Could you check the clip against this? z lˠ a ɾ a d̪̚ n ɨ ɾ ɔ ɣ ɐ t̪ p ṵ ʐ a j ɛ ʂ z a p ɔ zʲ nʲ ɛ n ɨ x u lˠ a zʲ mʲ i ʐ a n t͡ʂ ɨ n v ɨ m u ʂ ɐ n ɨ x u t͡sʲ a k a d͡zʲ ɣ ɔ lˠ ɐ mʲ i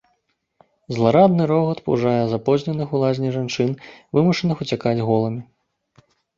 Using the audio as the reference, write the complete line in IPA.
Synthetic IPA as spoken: z lˠ a ɾ a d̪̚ n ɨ ɾ ɔ ɣ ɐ t̪ p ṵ ʐ a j ɛ z a p ɔ zʲ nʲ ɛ n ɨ x u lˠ a zʲ nʲ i ʐ a n t͡ʂ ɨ n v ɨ m u ʂ ɐ n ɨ x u t͡sʲ a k a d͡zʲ ɣ ɔ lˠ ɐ mʲ i